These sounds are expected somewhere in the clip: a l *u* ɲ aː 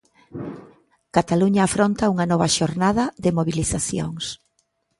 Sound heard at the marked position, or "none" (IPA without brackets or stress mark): u